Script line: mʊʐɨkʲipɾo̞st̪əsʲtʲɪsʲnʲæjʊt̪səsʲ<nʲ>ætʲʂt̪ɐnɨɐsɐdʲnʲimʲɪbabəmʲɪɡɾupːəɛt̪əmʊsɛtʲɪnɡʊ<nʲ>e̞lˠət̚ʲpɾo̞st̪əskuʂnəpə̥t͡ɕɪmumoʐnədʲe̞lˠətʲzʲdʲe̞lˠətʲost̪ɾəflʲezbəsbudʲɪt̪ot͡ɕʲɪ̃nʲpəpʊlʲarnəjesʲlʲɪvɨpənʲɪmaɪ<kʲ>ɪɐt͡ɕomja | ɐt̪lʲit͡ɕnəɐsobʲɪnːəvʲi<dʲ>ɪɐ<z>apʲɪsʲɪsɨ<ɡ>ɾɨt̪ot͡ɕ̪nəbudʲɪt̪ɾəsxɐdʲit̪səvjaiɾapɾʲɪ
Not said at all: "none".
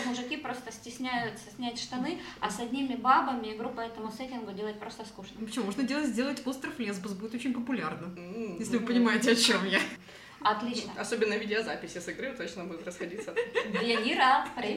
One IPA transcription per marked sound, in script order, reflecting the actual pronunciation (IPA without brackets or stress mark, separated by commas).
nʲ, dʲ, tʲ, dʲ, z, ɡ